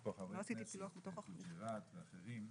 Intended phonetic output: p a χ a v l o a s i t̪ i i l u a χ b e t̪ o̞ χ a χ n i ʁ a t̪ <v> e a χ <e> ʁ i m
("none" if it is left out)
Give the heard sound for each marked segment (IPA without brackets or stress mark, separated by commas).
v, e